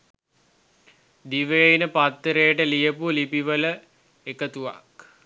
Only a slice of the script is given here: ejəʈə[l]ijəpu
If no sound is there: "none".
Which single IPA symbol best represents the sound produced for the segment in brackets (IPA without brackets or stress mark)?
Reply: l